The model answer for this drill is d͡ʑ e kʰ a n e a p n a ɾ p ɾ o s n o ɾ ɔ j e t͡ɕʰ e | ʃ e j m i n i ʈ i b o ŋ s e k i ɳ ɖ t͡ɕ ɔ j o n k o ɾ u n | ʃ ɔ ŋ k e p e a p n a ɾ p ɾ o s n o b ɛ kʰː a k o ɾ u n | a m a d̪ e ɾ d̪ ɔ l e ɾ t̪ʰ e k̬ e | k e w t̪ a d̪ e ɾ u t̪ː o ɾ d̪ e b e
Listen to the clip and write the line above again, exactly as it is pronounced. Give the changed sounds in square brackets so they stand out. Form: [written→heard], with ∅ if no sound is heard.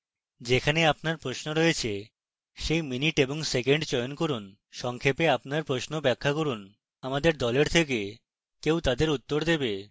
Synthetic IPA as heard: d͡ʑ e kʰ a n e a p n a ɾ p ɾ o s n o ɾ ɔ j e t͡ɕʰ e | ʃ e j m i n i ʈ [i→e] b o ŋ s e k [i→e] ɳ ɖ t͡ɕ ɔ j o n k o ɾ u n | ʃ ɔ ŋ [k→kʰ] e p e a p n a ɾ p ɾ o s n o b ɛ kʰː a k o ɾ u n | a m a d̪ e ɾ d̪ ɔ l e ɾ t̪ʰ e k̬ e | k e w t̪ a d̪ e ɾ u t̪ː o ɾ d̪ e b e